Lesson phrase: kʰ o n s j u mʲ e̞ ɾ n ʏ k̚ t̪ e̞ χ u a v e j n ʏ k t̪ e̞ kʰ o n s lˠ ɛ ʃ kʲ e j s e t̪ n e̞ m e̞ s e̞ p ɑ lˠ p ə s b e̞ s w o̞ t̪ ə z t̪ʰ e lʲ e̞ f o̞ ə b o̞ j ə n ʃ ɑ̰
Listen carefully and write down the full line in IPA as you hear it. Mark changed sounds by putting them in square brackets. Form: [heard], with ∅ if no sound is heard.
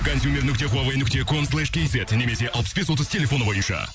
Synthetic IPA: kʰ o n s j u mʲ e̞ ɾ n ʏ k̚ t̪ e̞ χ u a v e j n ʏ k t̪ e̞ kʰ o n s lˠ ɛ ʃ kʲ e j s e t̪ n e̞ m e̞ s e̞ [ʔ] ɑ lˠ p ə s b e̞ s w o̞ t̪ ə z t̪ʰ e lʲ e̞ f o̞ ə b o̞ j ə n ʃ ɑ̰